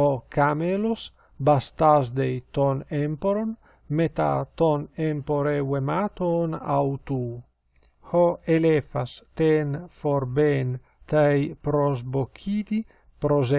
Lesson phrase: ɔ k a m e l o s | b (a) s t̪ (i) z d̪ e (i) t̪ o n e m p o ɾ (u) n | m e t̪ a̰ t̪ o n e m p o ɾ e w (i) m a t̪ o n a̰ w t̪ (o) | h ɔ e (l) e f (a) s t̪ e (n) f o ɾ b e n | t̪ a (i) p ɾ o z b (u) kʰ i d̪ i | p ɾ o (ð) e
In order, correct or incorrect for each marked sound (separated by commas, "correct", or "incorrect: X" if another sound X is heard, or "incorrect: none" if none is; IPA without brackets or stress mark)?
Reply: correct, incorrect: a, incorrect: j, incorrect: o, incorrect: e, incorrect: u, correct, correct, correct, incorrect: j, incorrect: o, incorrect: z